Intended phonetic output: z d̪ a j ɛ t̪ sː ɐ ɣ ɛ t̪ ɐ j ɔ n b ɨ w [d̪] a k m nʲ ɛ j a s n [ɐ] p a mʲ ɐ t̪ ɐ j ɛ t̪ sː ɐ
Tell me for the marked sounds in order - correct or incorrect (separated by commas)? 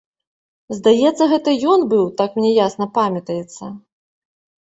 incorrect, correct